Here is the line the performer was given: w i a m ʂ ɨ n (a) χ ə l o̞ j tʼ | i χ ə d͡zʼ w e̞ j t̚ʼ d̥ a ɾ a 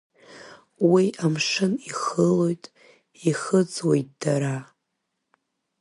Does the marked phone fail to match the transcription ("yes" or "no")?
yes